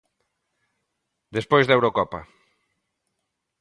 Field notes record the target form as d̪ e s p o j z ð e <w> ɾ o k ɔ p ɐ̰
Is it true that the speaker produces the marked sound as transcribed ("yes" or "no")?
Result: yes